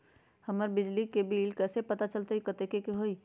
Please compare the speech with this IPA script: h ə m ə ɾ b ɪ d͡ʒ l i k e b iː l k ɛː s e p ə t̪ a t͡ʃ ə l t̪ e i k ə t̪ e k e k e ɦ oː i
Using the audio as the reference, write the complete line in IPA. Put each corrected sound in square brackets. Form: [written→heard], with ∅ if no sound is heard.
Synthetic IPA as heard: h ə m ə ɾ b ɪ d͡ʒ l i k e b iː l k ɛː s e p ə t̪ a t͡ʃ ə l t̪ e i k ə t̪ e k e k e ɦ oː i